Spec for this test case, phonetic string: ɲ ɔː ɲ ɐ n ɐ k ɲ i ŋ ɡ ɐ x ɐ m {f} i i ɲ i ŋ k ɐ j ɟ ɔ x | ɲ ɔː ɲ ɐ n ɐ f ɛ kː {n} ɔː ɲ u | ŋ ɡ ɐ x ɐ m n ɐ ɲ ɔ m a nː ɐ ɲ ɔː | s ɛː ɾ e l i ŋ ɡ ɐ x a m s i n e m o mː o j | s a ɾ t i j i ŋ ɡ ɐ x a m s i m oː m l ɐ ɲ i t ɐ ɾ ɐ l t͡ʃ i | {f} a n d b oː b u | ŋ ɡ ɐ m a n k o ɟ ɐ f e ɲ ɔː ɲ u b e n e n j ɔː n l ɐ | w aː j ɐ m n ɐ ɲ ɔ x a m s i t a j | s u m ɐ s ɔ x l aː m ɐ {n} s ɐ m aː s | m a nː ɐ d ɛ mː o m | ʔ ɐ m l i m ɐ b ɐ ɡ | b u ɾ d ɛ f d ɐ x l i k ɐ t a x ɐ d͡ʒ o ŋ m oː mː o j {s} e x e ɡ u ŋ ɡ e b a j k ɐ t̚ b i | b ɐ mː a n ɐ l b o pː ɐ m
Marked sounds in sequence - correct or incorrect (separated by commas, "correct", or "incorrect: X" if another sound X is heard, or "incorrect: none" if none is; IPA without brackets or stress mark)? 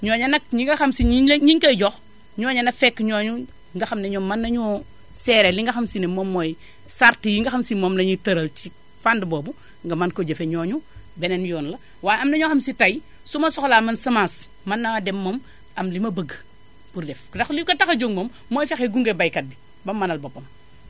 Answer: incorrect: s, incorrect: ɲ, correct, correct, incorrect: f